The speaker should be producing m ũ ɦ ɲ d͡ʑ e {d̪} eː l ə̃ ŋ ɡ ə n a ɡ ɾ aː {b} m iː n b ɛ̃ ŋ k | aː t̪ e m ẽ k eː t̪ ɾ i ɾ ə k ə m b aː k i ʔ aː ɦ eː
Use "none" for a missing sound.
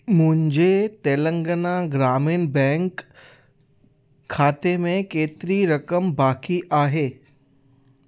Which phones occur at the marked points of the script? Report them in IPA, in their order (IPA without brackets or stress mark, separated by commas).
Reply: t̪, none